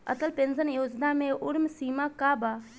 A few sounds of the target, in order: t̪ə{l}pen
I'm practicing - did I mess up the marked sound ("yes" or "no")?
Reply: no